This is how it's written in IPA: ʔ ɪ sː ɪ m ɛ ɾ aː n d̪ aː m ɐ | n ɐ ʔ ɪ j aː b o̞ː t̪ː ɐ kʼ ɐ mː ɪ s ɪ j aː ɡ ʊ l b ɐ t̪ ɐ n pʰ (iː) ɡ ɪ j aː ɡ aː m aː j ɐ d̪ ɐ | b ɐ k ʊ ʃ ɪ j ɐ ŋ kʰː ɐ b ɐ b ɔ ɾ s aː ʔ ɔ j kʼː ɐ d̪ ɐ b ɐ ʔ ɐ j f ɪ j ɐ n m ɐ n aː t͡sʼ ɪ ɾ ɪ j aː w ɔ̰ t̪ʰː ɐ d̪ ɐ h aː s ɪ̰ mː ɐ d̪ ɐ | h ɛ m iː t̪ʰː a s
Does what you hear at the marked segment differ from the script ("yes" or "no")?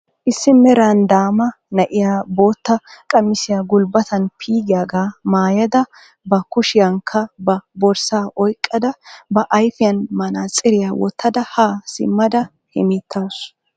no